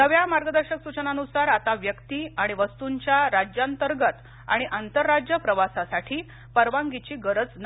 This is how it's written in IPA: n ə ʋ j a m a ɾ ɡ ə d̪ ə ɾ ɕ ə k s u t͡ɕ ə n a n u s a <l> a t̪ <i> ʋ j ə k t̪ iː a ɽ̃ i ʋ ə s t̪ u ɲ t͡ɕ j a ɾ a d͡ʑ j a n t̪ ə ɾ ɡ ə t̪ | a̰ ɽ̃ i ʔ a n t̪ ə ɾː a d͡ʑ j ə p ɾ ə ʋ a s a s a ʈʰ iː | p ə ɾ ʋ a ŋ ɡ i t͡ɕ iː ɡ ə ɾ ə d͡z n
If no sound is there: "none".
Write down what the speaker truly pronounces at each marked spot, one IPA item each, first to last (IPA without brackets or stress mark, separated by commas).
ɾ, a